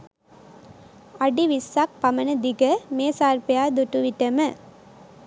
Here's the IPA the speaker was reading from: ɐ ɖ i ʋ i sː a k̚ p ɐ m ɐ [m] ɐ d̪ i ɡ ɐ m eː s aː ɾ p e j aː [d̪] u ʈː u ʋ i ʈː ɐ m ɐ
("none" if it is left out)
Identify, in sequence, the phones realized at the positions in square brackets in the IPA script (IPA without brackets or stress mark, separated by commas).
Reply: n, d̪